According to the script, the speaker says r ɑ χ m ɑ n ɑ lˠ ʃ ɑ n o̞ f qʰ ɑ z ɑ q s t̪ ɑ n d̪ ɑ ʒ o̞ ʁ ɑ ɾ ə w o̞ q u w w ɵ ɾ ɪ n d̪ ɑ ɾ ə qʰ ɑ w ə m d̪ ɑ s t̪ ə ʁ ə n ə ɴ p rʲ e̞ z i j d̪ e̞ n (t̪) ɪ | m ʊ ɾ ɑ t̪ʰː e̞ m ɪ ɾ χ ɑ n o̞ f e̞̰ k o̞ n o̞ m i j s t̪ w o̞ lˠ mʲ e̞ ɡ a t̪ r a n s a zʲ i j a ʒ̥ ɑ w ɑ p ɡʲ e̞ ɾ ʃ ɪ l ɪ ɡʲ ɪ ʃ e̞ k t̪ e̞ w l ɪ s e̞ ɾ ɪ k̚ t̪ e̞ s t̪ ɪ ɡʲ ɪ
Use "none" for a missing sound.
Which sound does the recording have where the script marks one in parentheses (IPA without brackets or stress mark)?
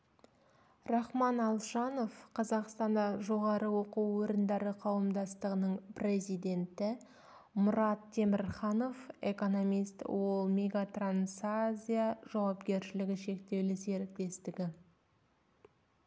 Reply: t̪